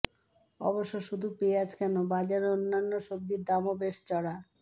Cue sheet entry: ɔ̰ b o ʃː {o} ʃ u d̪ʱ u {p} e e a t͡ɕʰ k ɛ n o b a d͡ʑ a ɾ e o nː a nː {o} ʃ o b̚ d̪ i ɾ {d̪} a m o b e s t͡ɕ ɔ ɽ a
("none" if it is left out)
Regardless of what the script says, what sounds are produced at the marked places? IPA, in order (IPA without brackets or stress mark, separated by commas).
o, p, o, d̪